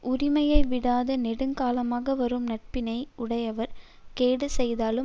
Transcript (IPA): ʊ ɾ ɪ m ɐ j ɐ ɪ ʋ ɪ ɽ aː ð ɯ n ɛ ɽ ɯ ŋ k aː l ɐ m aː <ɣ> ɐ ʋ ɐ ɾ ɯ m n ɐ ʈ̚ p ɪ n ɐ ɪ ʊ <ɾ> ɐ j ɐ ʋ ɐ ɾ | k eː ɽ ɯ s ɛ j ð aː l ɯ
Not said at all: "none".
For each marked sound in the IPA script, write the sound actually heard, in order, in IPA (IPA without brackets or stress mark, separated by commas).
ɣ, ɽ